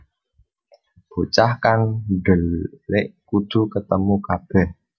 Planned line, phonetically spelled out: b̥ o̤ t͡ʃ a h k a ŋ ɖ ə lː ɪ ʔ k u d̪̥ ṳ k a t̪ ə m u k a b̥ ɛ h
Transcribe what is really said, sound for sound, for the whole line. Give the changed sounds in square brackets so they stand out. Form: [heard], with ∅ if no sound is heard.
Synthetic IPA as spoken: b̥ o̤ t͡ʃ a h k a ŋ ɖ ə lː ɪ ʔ k u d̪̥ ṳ k [ə] t̪ ə m u k a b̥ ɛ h